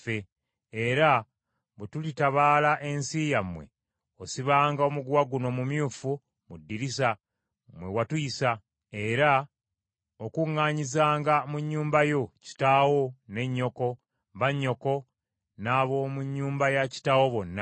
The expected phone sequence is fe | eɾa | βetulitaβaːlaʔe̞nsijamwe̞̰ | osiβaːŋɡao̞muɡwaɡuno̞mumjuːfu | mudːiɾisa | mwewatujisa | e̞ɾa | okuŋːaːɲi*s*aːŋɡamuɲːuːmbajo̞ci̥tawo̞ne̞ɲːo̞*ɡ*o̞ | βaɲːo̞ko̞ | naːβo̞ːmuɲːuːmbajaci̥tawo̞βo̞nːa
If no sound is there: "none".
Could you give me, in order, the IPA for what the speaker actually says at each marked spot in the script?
z, k

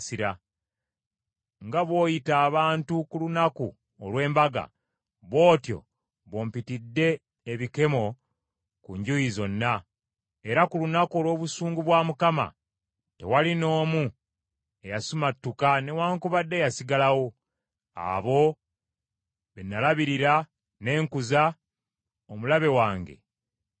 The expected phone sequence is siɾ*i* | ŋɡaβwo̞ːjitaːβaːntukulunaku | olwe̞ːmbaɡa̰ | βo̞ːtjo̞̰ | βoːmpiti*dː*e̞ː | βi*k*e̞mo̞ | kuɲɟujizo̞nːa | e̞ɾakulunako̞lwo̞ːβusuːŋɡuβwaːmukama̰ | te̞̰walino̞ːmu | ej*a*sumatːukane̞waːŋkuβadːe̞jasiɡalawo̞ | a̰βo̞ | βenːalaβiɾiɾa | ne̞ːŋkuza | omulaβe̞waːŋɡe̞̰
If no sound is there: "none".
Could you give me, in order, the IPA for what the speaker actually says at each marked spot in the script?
a, dː, k, a

